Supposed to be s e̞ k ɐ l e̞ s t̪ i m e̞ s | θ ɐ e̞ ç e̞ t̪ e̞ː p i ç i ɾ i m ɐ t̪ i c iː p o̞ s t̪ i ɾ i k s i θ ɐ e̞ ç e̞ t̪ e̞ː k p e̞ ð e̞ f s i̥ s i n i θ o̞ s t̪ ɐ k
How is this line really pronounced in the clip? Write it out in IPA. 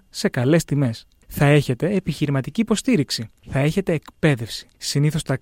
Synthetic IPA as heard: s e̞ k ɐ l e̞ s t̪ i m e̞ s | θ ɐ e̞ ç e̞ t̪ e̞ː p i ç i ɾ i m ɐ t̪ i c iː p o̞ s t̪ i ɾ i k s i θ ɐ e̞ ç e̞ t̪ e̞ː k p e̞ ð e̞ f s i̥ s i n i θ o̞ s t̪ ɐ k